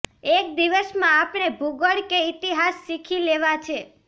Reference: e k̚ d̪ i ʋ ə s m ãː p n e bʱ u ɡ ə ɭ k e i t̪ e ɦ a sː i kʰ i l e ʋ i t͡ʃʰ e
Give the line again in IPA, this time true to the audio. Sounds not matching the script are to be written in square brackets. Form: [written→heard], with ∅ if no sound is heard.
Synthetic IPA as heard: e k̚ d̪ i ʋ ə s m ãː p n e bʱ u ɡ ə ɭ k e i t̪ [e→i] ɦ a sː i kʰ i l e ʋ [i→a] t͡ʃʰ e